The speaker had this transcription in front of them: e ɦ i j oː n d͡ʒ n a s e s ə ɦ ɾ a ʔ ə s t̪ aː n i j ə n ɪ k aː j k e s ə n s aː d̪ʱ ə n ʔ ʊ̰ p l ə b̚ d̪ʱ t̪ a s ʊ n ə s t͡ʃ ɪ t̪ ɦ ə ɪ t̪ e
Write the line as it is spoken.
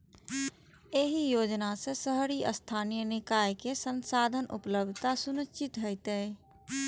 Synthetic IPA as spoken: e ɦ i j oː d͡ʒ n a s e s ə ɦ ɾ i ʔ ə s t̪ʰ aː n i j ə n ɪ k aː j k e s ə n s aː d̪ʱ ə n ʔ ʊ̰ p l ə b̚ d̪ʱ t̪ a s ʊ n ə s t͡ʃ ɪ t̪ ɦ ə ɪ t̪ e